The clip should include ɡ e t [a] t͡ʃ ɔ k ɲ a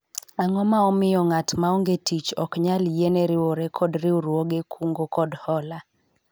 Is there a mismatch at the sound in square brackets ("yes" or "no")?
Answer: yes